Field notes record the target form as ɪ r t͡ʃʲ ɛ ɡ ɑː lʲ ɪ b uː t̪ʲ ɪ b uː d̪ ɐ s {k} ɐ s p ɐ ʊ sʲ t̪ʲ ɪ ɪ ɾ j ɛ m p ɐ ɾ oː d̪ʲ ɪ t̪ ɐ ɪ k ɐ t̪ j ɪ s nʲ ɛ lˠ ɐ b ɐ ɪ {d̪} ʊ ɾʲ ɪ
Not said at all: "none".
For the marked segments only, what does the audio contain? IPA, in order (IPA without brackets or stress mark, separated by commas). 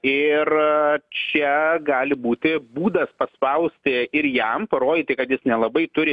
p, t̪